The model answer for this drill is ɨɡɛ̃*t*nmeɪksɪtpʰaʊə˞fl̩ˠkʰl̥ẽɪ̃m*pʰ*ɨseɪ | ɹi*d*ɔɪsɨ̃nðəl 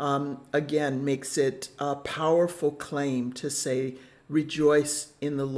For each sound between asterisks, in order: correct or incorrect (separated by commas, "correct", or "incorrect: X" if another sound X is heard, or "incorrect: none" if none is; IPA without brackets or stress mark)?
incorrect: none, incorrect: tʰ, incorrect: d͡ʒ